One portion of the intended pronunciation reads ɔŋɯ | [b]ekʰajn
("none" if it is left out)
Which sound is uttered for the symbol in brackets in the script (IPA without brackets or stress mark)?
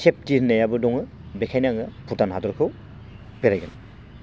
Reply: b